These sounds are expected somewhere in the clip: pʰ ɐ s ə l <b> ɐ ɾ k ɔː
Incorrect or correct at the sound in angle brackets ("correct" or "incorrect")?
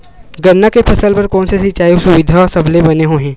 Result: incorrect